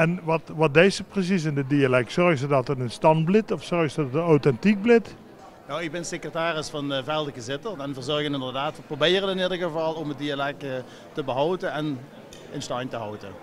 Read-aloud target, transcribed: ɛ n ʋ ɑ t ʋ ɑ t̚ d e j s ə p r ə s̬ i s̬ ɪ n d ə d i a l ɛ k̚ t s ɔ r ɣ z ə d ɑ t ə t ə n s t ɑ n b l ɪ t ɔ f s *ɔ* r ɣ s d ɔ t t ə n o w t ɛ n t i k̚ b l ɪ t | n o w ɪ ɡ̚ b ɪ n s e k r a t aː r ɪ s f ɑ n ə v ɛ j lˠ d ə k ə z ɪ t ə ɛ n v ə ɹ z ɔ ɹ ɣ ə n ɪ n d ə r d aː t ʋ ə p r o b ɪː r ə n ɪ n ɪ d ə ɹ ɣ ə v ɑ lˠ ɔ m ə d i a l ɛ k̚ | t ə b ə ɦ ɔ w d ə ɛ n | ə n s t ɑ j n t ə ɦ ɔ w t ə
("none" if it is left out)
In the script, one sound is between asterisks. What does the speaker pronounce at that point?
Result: ɔ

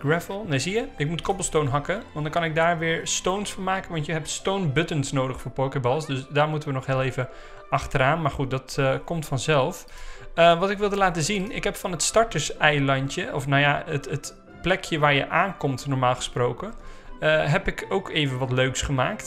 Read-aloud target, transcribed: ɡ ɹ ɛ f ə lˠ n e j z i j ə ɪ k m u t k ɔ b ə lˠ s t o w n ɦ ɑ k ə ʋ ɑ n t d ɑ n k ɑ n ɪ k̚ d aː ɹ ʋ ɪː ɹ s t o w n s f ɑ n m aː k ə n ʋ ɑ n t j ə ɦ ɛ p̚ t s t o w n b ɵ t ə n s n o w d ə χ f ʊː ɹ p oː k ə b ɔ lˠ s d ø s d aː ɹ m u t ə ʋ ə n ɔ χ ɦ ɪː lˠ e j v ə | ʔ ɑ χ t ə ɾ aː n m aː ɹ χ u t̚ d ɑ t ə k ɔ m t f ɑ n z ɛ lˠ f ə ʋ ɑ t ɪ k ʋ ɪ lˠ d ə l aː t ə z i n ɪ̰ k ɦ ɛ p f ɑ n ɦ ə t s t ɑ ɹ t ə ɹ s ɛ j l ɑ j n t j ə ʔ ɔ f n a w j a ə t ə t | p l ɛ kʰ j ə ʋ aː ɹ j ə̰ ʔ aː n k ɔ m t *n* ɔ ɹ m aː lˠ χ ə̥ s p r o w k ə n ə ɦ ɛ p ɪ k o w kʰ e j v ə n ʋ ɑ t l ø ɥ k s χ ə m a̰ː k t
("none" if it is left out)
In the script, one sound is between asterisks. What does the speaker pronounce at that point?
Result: n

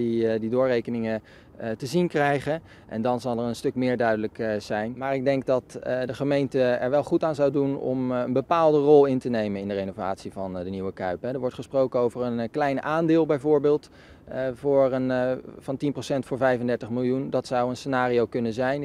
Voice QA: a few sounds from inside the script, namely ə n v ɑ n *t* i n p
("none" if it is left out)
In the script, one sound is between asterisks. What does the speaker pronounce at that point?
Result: t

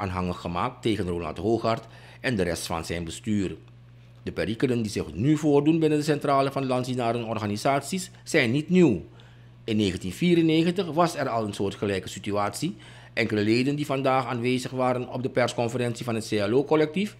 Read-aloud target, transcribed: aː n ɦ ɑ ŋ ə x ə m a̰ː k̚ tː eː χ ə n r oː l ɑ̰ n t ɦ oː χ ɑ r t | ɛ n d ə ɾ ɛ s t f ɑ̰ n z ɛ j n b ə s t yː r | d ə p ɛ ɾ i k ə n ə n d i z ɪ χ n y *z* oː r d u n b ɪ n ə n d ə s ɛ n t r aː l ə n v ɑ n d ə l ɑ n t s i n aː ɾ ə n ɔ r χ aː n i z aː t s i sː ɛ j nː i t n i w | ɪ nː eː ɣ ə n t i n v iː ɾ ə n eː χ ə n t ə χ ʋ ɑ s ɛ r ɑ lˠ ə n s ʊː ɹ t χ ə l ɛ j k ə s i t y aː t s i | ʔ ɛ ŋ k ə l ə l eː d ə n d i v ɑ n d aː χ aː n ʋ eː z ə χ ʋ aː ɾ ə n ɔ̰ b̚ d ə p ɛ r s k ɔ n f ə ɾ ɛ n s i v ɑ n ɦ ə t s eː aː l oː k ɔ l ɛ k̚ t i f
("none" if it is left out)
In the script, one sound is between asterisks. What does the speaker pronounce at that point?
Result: v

